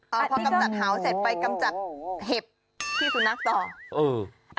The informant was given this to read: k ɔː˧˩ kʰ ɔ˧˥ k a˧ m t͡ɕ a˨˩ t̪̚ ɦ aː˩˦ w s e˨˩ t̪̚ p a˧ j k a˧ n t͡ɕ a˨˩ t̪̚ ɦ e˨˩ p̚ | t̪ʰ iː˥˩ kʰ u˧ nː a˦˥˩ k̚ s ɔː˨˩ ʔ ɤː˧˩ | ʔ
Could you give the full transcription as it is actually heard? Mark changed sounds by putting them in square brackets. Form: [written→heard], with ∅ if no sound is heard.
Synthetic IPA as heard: [k→ʔ] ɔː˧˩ [kʰ→pʰ] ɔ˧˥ k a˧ m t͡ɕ a˨˩ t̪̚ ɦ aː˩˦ w s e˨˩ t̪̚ p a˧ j k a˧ [n→m] t͡ɕ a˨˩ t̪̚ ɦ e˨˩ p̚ | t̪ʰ iː˥˩ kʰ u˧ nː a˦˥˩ k̚ s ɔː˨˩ ʔ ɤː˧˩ | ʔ